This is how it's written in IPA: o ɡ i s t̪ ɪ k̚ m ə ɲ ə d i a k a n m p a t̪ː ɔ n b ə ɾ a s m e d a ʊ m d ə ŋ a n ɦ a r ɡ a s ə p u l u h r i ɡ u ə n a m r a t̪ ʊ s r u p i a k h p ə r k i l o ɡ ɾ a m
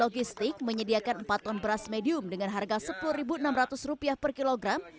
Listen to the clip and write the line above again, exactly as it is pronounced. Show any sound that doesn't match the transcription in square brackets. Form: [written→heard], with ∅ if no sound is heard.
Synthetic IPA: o ɡ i s t̪ ɪ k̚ m ə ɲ ə d i a k a n m p a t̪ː ɔ n b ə ɾ a s m e d [a→i] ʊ m d ə ŋ a n ɦ a r ɡ a s ə p u l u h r i [ɡ→b] u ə n a m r a t̪ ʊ s r u p i a [k→∅] h p ə r k i l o ɡ ɾ a m